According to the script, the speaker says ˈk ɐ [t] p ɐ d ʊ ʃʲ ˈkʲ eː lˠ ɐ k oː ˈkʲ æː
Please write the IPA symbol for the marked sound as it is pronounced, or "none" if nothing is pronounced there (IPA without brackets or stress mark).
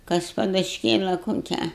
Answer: s